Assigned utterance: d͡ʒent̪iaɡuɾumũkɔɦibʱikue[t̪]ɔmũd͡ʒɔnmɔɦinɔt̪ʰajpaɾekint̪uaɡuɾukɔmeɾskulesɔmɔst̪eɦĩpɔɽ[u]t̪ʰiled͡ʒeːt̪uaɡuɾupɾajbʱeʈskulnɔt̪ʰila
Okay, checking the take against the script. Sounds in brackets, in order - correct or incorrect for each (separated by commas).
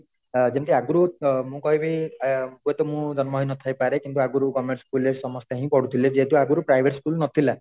correct, correct